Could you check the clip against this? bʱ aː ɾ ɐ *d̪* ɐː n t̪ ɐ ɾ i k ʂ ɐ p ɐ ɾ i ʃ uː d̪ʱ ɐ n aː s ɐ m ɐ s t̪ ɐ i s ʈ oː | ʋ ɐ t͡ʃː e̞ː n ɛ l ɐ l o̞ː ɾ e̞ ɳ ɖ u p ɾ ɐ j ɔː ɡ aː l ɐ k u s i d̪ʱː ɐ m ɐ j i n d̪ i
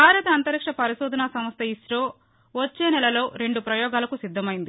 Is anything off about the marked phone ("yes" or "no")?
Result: yes